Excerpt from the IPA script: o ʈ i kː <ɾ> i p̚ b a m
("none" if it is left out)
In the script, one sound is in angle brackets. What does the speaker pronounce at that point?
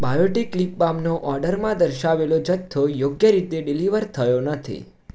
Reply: l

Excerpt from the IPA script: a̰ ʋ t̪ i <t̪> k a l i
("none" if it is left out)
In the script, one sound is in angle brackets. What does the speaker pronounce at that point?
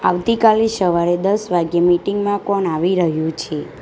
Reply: none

